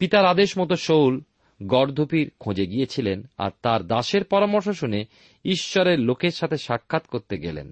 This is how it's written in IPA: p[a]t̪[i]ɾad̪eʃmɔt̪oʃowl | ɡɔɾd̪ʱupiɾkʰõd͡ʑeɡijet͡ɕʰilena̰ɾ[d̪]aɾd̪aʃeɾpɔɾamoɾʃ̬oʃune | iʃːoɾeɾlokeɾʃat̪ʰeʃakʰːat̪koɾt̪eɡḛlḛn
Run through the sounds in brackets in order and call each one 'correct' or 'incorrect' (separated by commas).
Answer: incorrect, incorrect, incorrect